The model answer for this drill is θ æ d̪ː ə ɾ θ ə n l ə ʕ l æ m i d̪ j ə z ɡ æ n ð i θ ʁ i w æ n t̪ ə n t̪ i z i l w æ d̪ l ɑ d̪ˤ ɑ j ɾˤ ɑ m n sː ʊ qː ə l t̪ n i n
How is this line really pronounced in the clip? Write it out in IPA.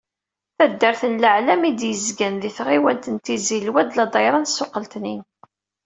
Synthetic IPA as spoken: θ æ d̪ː ə ɾ θ ə n l ə ʕ l æ m i d̪ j ə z ɡ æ n ð i θ ʁ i w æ n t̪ ə n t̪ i z i l w æ d̪ l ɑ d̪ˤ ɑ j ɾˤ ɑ n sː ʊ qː ə l t̪ n i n

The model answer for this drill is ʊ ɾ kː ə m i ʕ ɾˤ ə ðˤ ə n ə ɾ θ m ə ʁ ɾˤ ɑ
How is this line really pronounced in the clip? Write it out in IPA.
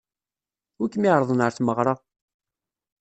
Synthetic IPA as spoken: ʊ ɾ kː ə m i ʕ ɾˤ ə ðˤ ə n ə ɾ θ m ə ʁ ɾˤ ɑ

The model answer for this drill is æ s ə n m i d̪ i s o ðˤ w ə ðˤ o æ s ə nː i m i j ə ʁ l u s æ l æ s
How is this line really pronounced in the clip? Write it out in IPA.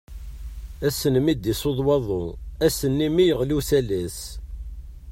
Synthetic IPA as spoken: æ s ə n m i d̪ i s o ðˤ w ɑ ðˤ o æ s ə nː i m i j ə ʁ l u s æ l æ s

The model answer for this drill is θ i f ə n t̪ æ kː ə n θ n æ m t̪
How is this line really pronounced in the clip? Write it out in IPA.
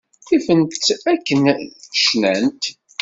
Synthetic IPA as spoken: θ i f ə n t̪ æ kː ə n ʃ n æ n t̪

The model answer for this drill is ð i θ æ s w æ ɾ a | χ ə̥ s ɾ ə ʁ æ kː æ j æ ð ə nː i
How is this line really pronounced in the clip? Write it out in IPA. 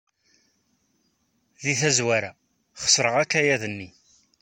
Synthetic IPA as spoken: ð i θ æ z w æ ɾ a | χ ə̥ s ɾ ə ʁ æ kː æ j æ ð ə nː i

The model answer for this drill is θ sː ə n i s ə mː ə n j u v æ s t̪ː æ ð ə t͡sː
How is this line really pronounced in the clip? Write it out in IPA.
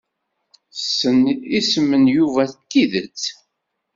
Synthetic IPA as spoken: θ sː ə n i s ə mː ə n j u v æ θ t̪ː i ð ə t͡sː

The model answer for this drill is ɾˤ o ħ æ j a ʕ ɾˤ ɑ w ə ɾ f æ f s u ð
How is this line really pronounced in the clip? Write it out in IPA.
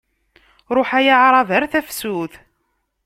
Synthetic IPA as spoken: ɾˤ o ħ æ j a ʕ ɾˤ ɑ v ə ɾ θ æ f s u θ

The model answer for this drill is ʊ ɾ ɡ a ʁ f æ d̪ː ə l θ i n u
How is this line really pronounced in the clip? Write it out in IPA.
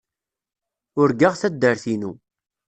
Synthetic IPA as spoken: ʊ ɾ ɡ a ʁ θ æ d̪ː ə ɾ θ i n u

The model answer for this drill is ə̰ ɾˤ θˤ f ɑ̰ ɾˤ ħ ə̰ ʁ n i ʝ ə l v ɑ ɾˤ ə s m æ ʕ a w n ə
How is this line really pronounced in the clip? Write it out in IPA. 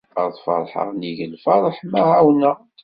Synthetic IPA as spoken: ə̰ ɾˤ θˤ f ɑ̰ ɾˤ ħ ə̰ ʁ n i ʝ ə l f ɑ ɾˤ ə ħ m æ ʕ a w n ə

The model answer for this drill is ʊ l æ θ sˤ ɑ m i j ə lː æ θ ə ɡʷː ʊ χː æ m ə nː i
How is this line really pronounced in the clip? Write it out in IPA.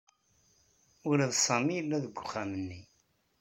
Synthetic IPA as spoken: ʊ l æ ð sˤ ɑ m i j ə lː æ ð ə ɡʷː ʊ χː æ m ə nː i

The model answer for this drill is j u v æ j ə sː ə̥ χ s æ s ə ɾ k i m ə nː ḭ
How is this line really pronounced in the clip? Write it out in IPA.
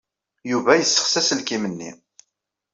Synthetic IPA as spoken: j u v æ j ə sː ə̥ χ s æ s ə l k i m ə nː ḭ

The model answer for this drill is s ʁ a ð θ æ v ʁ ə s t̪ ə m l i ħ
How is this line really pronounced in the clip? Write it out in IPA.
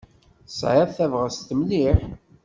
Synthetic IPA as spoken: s ʕ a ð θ æ v ʁ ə s t̪ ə m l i ħ

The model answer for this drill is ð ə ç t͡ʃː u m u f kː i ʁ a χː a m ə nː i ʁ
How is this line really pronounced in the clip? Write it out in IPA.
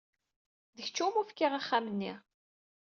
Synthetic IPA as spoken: ð ə ç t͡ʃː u m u f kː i ʁ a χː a m ə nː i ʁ

